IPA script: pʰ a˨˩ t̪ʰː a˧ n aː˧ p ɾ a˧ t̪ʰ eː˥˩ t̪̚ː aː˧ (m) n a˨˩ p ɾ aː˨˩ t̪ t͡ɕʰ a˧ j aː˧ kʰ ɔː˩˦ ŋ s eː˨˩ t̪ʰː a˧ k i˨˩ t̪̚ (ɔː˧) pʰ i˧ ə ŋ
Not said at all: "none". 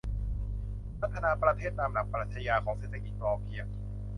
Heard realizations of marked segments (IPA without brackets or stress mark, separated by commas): m, ɔː˧